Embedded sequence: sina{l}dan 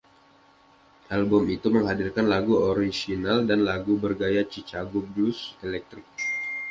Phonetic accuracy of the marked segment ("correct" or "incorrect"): correct